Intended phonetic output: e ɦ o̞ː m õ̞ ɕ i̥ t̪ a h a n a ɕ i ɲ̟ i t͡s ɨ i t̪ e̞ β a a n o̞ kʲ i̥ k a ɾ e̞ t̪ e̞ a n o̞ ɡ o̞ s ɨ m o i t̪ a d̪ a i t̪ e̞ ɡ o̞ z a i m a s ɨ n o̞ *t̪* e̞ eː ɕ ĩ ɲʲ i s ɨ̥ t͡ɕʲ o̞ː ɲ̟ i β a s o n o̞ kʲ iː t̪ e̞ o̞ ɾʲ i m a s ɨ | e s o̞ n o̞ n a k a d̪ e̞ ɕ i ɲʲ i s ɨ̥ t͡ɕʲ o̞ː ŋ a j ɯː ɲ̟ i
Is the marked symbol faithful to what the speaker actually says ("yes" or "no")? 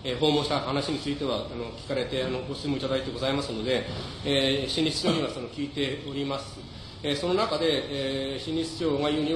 no